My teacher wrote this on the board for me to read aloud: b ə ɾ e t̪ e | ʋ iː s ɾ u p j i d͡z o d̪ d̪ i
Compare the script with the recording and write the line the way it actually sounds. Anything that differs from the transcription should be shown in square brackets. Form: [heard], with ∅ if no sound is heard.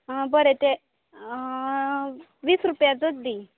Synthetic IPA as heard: b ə ɾ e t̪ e | ʋ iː s ɾ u p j [a] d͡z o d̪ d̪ i